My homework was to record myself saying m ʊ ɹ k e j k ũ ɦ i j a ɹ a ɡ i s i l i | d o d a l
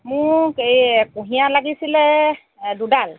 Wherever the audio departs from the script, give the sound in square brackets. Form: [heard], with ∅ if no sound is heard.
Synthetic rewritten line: m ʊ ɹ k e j k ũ ɦ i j a [l] a ɡ i s i l [ɛ] | d [u] d a l